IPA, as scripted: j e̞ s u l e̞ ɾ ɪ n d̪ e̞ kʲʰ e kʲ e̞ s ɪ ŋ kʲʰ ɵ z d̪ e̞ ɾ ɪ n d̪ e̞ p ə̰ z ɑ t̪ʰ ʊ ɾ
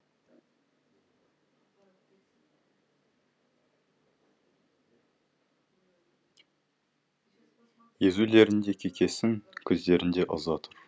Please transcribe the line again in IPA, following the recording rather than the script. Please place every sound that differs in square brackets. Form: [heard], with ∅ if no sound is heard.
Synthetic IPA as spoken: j e̞ [z] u l e̞ ɾ ɪ n d̪ e̞ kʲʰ e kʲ e̞ s ɪ ŋ kʲʰ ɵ z d̪ e̞ ɾ ɪ n d̪ e̞ [ʔ] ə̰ z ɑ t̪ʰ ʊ ɾ